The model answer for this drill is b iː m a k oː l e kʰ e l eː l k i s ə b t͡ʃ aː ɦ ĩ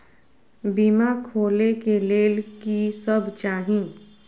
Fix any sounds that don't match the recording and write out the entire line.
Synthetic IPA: b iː m a kʰ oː l e k e l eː l k i s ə b t͡ʃ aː ɦ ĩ